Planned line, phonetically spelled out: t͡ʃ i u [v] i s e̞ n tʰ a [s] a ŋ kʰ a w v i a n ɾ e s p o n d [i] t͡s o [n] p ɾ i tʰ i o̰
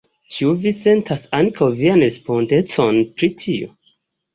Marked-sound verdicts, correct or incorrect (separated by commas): correct, correct, incorrect, correct